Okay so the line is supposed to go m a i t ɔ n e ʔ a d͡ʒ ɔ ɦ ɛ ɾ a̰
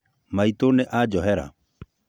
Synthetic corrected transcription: m a i t o n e ʔ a d͡ʒ ɔ ɦ ɛ ɾ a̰